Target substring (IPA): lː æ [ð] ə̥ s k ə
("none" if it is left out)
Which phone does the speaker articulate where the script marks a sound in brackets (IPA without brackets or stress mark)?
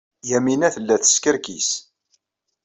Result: θ